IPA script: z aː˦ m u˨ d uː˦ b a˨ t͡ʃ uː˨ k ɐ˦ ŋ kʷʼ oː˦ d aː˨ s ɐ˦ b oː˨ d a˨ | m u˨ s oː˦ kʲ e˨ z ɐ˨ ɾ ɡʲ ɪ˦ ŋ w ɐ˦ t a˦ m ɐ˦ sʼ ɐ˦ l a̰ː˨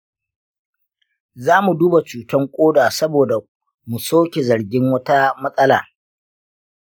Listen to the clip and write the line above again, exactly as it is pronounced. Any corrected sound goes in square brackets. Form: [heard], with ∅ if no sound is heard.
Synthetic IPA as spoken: z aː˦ m u˨ d uː˦ b a˨ t͡ʃ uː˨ [t] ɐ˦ ŋ kʷʼ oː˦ d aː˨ s ɐ˦ b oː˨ d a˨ | m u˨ s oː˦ kʲ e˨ z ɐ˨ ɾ ɡʲ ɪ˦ ŋ w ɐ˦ t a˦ m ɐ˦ sʼ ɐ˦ l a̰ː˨